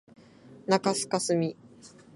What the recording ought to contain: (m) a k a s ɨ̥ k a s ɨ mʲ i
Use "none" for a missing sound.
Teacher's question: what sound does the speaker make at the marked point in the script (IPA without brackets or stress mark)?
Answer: n